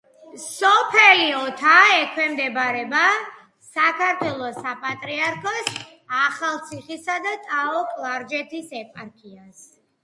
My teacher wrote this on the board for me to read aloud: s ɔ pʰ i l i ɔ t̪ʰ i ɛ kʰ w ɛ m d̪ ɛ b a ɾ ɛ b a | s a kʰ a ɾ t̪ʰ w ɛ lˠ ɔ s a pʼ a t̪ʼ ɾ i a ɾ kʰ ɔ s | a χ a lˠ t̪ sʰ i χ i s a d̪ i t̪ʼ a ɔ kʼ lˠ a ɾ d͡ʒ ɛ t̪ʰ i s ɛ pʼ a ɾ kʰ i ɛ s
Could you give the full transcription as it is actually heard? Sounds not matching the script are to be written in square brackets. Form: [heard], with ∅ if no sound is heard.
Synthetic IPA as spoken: s ɔ pʰ [ɛ] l i ɔ t̪ʰ [a] ɛ kʰ w ɛ m d̪ ɛ b a ɾ ɛ b a | s a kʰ a ɾ t̪ʰ w ɛ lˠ ɔ s a pʼ a t̪ʼ ɾ i a ɾ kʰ ɔ s | a χ a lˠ t̪ sʰ i χ i s a d̪ [a] t̪ʼ a ɔ kʼ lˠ a ɾ d͡ʒ ɛ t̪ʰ i s ɛ pʼ a ɾ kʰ i [a] s